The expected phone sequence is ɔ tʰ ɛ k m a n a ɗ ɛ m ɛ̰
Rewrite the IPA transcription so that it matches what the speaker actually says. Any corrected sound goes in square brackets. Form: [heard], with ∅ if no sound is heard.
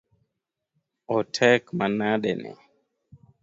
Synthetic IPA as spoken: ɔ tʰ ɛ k m a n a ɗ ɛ [n] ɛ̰